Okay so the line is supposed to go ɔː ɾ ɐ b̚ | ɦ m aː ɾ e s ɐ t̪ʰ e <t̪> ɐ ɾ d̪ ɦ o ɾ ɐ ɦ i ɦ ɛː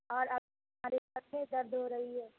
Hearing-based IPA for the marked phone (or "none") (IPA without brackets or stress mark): d̪